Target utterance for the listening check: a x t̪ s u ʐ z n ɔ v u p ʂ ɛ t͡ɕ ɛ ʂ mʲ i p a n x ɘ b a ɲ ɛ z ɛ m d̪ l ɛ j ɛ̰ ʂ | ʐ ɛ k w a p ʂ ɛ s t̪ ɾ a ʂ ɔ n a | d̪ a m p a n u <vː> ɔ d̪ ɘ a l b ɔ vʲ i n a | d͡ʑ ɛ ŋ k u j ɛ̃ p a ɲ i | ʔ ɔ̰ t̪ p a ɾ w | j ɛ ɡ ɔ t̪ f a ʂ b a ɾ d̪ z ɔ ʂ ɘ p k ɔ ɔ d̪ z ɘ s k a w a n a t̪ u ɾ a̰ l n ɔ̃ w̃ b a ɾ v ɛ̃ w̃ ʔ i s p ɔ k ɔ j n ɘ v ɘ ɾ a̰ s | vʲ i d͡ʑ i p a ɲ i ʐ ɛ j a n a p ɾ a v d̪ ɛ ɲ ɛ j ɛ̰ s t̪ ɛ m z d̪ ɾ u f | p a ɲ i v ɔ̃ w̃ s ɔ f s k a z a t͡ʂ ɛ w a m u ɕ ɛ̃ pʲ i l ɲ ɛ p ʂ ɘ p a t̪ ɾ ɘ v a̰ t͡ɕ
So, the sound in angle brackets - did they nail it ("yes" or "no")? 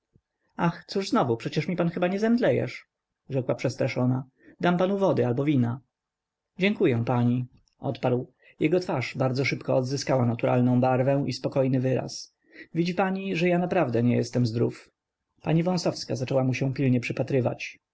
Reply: no